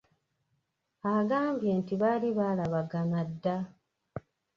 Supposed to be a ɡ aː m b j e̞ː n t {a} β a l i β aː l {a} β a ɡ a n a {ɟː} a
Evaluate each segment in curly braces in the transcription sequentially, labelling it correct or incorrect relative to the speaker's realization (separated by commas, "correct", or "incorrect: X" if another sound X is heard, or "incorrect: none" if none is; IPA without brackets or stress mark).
incorrect: i, correct, incorrect: dː